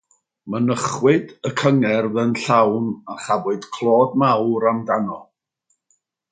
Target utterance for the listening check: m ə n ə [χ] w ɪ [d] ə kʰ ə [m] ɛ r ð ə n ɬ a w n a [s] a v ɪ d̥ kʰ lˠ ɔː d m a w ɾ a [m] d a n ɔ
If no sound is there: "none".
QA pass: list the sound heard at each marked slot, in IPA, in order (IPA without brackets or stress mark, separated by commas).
χ, d, ŋ, χ, m